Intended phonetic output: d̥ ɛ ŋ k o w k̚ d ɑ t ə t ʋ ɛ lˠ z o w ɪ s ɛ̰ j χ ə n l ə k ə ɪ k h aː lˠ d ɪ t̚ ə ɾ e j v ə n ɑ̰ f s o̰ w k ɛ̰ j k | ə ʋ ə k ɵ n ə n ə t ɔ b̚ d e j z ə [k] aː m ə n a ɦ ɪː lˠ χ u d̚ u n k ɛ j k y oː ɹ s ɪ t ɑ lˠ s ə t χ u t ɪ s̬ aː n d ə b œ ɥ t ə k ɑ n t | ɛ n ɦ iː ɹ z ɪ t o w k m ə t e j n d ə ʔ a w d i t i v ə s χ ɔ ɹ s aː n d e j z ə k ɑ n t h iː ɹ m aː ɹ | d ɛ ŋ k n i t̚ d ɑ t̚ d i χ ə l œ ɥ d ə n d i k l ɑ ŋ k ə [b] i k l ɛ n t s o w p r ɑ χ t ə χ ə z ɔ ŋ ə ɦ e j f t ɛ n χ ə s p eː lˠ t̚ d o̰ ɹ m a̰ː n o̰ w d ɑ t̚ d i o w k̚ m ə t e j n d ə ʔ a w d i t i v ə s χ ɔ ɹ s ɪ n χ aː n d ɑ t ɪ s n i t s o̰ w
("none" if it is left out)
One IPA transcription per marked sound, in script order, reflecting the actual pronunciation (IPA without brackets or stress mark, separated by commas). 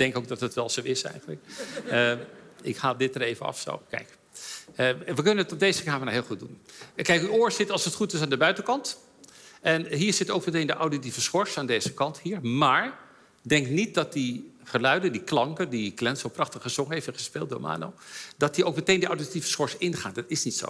k, d